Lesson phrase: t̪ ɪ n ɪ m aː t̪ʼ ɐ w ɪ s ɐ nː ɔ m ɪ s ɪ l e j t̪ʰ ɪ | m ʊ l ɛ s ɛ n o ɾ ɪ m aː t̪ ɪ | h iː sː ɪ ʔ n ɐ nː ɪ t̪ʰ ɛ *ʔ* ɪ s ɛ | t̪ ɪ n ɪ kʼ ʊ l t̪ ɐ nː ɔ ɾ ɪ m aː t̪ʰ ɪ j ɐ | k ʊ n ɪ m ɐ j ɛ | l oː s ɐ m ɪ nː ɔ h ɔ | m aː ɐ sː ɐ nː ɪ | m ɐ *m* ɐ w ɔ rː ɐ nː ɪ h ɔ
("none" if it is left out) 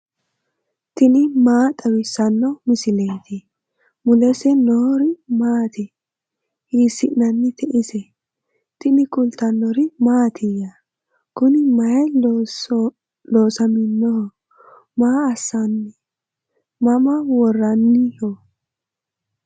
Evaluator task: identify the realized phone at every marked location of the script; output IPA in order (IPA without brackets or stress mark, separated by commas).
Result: ʔ, m